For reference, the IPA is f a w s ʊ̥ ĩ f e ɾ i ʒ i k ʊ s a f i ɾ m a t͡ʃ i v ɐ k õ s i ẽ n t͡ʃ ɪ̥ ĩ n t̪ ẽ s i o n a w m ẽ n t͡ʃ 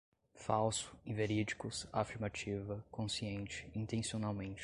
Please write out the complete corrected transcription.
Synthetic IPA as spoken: f a w s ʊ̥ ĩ v e ɾ i d͡ʒ i k ʊ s a f i ɾ m a t͡ʃ i v ɐ k õ s i ẽ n t͡ʃ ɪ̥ ĩ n t̪ ẽ s i o n a w m ẽ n t͡ʃ